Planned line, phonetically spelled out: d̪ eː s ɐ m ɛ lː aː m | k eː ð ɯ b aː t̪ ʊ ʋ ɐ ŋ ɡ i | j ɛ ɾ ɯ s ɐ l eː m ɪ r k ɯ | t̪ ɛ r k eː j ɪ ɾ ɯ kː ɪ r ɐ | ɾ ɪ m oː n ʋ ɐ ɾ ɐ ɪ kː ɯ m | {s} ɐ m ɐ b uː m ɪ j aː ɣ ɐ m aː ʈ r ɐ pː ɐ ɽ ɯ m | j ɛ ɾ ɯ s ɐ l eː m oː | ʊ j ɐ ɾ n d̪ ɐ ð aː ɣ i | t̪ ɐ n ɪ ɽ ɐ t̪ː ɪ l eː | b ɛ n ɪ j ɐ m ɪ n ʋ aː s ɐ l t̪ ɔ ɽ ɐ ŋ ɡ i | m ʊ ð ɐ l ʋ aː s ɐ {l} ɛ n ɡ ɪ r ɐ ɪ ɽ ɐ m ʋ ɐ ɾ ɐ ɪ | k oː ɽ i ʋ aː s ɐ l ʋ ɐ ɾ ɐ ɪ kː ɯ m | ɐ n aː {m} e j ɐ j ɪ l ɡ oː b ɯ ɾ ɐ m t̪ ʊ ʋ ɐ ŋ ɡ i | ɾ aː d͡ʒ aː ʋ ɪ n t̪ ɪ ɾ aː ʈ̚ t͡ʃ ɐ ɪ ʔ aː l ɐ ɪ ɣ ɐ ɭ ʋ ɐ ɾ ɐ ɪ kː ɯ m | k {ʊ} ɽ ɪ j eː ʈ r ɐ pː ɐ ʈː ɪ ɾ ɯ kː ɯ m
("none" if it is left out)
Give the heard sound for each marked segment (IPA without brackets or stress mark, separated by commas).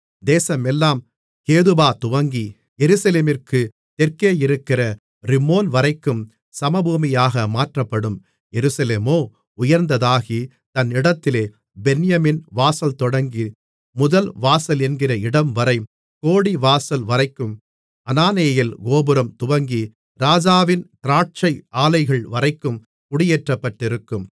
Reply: s, l, n, ʊ